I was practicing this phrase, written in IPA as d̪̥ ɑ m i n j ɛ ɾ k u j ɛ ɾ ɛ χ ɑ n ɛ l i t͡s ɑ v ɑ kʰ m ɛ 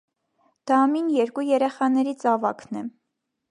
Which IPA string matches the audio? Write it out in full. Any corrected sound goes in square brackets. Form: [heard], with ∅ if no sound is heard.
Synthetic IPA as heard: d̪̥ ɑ m i n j ɛ ɾ k u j ɛ ɾ ɛ χ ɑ n ɛ [ɾ] i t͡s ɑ v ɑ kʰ [n] ɛ